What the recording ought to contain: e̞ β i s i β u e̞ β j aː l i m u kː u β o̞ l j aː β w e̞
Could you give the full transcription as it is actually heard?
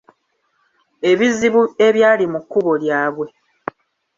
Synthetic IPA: e̞ β i z i β u e̞ β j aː l i m u kː u β o̞ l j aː β w e̞